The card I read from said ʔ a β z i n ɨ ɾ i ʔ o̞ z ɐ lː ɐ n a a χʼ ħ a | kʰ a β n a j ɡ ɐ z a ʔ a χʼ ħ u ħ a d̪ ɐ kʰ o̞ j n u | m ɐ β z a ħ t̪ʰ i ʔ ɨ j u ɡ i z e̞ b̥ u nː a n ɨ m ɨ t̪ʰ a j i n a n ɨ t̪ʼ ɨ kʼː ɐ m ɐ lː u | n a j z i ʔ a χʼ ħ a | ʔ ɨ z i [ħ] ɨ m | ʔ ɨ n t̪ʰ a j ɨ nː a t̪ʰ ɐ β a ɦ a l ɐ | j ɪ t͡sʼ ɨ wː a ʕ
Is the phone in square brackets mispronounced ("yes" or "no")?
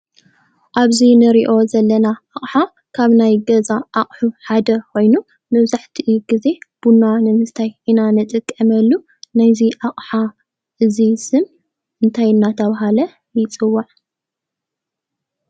yes